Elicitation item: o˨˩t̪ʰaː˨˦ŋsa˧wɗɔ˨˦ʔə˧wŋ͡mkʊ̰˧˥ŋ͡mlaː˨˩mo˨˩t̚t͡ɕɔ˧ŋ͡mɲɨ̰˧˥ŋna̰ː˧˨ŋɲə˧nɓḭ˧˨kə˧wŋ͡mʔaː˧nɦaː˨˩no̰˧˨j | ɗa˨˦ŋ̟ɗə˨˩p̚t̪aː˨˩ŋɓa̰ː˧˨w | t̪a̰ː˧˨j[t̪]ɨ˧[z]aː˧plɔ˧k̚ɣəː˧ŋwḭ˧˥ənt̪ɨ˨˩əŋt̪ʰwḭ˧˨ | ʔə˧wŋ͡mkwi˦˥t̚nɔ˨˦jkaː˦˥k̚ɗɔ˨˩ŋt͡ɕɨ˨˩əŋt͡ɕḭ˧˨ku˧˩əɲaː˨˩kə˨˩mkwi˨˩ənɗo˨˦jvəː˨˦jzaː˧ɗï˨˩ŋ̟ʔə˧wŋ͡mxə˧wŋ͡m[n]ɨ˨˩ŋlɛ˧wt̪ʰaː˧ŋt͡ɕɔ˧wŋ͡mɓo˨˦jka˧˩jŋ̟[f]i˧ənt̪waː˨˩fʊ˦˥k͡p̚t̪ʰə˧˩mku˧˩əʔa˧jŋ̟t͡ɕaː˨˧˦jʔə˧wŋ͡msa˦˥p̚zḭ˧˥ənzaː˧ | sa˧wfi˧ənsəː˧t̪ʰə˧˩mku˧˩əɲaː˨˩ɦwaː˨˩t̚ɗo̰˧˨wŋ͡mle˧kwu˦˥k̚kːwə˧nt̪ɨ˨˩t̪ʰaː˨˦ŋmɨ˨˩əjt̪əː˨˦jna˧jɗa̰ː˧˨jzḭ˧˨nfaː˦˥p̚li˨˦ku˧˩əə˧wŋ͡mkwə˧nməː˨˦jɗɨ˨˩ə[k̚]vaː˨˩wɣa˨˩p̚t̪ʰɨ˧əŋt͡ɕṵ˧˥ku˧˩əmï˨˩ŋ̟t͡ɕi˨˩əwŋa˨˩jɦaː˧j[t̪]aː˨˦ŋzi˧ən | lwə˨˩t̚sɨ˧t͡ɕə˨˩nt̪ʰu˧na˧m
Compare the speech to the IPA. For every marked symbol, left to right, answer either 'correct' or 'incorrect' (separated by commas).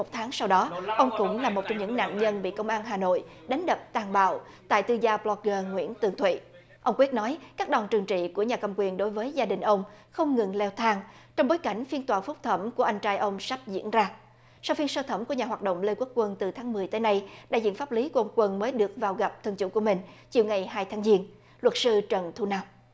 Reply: correct, correct, incorrect, correct, correct, incorrect